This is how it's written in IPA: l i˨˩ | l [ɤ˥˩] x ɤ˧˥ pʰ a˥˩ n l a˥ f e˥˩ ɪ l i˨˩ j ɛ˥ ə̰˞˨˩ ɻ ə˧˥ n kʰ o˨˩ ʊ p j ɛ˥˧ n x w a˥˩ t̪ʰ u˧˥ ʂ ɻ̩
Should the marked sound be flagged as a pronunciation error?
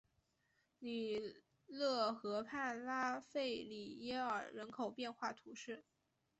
no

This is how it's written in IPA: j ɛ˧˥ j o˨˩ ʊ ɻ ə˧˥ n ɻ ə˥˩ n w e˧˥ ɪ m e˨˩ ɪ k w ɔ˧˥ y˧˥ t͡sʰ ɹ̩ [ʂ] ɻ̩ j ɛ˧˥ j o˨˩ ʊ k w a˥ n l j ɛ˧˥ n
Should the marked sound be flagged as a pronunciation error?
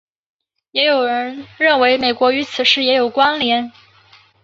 no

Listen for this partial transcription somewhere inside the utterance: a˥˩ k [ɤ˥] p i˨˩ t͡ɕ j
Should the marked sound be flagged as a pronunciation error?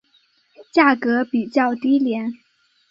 yes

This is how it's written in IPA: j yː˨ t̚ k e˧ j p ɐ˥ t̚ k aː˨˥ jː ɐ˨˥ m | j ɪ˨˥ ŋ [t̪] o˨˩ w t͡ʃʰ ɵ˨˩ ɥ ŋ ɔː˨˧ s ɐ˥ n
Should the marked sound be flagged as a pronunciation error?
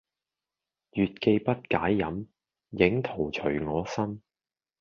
yes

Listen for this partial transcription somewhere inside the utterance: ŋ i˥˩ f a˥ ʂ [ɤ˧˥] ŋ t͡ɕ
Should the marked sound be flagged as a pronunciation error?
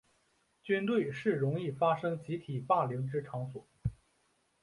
yes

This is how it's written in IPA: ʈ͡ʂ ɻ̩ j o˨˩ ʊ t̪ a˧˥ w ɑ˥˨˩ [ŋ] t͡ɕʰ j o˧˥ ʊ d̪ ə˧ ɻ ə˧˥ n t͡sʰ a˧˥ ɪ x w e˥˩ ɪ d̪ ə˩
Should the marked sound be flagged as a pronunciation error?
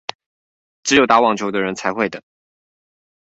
no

